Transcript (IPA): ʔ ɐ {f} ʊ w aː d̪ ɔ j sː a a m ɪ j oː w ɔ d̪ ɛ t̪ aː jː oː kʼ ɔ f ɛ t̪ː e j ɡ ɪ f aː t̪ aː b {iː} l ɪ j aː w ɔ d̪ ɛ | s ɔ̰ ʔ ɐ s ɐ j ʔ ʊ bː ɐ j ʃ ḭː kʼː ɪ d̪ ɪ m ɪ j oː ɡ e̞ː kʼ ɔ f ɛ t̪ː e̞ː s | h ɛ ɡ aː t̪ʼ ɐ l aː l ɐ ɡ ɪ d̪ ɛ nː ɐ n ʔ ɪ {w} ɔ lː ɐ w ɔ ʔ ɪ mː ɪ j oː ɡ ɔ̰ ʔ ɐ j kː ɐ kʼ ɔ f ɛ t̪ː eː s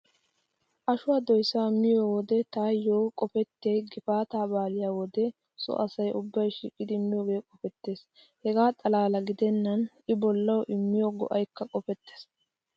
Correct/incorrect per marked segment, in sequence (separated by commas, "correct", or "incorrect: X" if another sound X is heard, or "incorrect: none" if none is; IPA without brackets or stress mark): incorrect: ʃ, incorrect: aː, incorrect: b